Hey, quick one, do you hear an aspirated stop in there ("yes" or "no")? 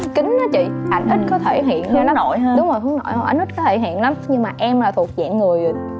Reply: yes